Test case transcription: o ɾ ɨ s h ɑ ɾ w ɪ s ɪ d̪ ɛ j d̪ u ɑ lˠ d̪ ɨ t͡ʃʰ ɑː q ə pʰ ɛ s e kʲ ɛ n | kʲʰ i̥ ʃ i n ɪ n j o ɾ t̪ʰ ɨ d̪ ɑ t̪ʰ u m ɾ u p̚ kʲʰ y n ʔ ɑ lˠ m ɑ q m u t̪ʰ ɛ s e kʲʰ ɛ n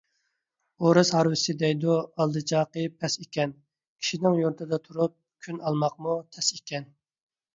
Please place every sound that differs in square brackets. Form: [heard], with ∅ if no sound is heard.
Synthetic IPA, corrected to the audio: o ɾ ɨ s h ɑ ɾ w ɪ s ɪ d̪ ɛ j d̪ u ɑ lˠ d̪ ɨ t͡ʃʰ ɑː q ə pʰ ɛ s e kʲ ɛ n | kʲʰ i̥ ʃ i n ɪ [ŋ] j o ɾ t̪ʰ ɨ d̪ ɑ t̪ʰ u [∅] ɾ u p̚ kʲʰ y n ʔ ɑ lˠ m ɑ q m u t̪ʰ ɛ s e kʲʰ ɛ n